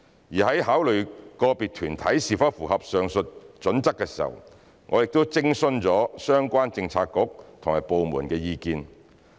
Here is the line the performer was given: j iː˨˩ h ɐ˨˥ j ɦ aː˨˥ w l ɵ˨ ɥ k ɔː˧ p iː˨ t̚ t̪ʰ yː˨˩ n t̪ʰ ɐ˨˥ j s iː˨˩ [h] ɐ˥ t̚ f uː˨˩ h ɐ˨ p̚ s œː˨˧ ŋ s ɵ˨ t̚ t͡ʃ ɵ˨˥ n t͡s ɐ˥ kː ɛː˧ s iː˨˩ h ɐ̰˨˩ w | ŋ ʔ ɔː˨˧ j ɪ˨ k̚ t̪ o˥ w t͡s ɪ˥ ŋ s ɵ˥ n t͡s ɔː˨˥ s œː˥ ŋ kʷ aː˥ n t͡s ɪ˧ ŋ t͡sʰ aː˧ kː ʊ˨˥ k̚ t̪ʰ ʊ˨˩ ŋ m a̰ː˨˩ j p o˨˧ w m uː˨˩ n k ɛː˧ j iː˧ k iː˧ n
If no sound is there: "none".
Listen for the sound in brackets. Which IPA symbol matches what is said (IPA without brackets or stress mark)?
f